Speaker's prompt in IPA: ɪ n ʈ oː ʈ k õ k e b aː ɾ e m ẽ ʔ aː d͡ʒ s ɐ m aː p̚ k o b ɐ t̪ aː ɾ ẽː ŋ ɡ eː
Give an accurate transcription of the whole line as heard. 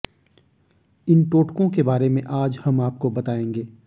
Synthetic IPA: ɪ n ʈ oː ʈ k õ k e b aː ɾ e m ẽ ʔ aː d͡ʒ h ɐ m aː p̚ k o b ɐ t̪ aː ẽː ŋ ɡ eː